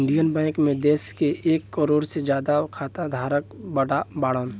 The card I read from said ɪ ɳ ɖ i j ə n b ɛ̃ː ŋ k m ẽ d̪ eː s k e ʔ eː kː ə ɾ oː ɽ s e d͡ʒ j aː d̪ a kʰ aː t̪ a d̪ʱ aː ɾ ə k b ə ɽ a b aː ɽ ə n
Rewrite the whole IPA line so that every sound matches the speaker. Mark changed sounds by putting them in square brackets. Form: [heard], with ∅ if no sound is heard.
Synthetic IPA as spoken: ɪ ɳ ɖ i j ə n b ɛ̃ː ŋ k m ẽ d̪ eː s k e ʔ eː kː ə ɾ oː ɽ s e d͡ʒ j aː d̪ a kʰ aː t̪ a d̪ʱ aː ɾ ə k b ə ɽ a b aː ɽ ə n